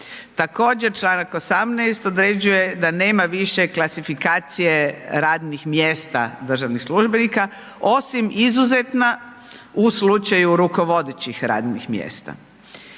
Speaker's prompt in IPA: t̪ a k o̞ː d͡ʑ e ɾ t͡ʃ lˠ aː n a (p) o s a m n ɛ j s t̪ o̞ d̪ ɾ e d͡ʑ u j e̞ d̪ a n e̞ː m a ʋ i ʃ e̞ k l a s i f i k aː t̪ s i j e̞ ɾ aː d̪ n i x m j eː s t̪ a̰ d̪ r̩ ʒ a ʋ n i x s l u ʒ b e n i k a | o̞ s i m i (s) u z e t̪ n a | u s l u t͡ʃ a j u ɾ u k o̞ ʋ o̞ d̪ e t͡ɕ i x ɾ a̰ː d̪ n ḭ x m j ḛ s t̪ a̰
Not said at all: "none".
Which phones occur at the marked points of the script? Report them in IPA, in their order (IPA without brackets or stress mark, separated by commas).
k, z